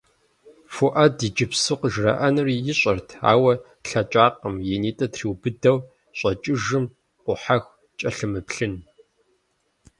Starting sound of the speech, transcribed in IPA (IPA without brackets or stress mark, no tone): f